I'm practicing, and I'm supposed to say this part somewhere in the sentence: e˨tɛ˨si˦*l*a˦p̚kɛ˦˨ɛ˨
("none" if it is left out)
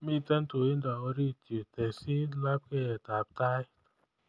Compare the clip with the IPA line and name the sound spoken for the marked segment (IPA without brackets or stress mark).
l